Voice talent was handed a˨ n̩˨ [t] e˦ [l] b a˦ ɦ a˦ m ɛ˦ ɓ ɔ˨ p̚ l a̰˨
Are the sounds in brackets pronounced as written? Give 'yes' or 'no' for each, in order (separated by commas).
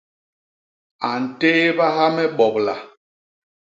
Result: yes, no